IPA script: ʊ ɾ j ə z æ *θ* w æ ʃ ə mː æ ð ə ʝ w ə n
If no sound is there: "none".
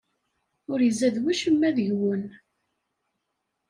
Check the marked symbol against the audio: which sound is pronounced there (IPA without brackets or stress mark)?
ð